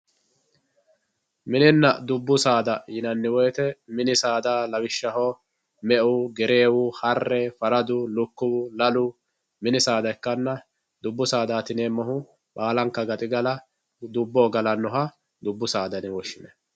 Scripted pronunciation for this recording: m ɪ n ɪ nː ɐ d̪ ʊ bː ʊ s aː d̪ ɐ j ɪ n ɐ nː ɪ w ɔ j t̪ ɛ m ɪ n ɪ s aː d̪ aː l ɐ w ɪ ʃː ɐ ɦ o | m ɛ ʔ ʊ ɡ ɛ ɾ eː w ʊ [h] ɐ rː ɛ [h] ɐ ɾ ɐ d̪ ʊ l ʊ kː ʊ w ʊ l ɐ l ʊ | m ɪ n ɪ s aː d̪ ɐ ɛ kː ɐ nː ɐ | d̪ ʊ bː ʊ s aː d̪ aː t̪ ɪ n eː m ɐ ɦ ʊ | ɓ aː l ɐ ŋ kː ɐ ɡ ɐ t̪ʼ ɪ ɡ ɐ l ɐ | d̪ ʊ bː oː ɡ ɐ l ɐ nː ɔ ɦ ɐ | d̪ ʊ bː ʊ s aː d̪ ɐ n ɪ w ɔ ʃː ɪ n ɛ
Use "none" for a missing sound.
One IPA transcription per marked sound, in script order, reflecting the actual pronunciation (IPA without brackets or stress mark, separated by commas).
h, f